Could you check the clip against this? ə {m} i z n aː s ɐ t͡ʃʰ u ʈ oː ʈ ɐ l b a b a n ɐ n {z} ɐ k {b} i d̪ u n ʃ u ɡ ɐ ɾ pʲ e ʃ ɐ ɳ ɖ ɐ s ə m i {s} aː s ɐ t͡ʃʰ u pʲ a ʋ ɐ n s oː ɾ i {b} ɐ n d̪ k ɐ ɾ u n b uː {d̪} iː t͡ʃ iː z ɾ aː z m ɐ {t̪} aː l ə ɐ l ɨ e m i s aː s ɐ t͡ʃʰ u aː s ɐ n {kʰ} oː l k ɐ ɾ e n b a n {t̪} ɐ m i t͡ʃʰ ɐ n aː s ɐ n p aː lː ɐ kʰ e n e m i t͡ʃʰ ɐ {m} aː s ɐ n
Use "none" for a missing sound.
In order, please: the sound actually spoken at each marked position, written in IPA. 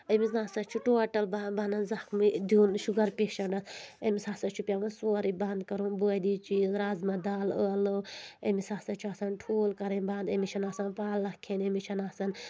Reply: m, z, m, s, b, d̪, d̪, ʈʰ, d̪, n

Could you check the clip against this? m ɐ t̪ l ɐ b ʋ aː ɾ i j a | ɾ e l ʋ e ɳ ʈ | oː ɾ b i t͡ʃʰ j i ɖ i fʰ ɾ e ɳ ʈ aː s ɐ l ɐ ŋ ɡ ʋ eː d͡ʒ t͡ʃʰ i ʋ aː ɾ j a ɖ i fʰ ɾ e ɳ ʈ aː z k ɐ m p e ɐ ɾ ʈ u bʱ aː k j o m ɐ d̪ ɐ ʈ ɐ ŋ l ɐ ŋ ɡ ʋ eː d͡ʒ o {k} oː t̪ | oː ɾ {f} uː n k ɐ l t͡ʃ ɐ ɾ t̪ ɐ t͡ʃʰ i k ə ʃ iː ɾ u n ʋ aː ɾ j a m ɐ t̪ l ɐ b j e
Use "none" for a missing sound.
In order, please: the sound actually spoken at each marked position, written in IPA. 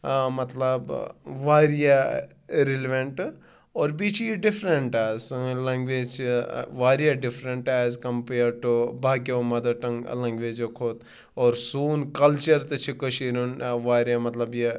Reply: kʰ, s

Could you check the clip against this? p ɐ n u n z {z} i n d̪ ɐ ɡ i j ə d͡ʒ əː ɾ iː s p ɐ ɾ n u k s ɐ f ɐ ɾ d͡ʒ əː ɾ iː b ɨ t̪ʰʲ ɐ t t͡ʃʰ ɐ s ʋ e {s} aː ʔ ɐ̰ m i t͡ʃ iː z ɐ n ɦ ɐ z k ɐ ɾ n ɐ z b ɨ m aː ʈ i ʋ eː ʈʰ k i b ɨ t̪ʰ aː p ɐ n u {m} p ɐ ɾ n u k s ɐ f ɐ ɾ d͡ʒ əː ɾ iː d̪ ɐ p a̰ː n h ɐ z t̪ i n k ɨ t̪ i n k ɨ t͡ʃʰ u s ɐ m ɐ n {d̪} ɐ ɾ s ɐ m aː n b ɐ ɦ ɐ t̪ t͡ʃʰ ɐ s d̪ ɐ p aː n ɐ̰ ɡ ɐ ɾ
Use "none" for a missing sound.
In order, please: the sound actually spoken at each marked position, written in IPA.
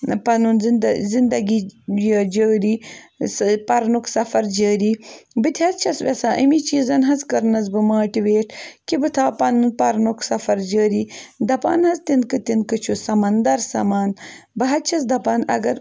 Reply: z, s, n, d̪

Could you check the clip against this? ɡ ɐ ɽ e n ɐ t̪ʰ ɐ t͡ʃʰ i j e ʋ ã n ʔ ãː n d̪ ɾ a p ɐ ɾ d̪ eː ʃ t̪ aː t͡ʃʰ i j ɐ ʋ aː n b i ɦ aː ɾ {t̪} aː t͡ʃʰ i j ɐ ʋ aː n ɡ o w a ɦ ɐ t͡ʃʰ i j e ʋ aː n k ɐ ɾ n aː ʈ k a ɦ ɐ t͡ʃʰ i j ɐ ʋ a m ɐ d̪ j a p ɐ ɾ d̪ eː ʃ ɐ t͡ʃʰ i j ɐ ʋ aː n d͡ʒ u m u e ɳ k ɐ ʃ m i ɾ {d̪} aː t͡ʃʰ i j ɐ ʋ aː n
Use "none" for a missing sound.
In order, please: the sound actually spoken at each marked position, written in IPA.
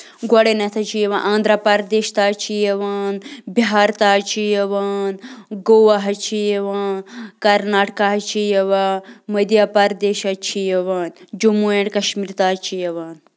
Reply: t̪, t̪

